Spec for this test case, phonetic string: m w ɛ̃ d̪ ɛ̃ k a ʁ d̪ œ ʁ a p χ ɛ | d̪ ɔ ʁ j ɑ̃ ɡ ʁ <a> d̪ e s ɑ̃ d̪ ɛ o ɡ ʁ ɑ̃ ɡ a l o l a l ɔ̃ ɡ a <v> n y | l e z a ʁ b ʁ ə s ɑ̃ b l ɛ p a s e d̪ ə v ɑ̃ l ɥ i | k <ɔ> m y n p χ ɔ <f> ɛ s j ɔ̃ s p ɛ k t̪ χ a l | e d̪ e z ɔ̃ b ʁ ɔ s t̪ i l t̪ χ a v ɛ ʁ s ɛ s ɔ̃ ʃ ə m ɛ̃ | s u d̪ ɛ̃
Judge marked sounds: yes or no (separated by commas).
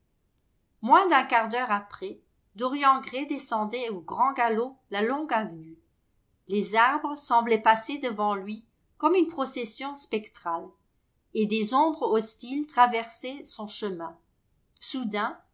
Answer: no, yes, yes, no